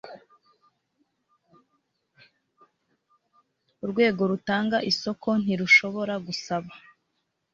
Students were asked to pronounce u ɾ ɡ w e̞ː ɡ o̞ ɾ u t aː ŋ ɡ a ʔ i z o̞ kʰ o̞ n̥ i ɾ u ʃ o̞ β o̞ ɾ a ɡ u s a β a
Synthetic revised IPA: u ɾ ɡ w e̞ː ɡ o̞ ɾ u t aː ŋ ɡ a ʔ i s o̞ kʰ o̞ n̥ i ɾ u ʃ o̞ β o̞ ɾ a ɡ u s a β a

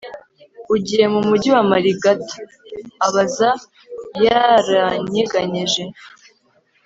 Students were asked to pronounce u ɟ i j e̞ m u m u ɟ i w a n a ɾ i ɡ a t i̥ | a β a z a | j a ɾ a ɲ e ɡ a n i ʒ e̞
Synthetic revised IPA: u ɟ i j e̞ m u m u ɟ i w a m a ɾ i ɡ a t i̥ | a β a z a | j a ɾ a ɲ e ɡ a ɲ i ʒ e̞

